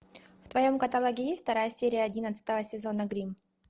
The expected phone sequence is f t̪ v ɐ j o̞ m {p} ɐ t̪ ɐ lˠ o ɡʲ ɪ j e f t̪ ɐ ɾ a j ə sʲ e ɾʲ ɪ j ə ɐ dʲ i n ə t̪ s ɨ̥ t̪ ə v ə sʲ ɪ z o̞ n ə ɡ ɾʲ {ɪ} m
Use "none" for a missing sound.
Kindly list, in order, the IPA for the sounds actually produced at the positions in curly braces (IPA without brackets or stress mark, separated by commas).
k, i